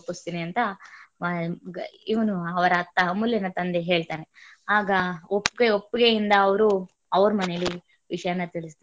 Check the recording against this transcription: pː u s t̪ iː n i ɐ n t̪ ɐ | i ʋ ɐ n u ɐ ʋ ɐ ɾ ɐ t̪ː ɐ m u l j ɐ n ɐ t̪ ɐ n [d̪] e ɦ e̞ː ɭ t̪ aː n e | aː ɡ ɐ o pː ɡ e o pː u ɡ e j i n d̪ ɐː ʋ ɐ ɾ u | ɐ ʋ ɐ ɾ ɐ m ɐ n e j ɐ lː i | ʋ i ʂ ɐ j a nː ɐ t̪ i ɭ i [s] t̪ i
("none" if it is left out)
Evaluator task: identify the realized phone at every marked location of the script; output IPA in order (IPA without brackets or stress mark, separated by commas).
d̪, s